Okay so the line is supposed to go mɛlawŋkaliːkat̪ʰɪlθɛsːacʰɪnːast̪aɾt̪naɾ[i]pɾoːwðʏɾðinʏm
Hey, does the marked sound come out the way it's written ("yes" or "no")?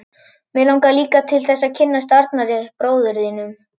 no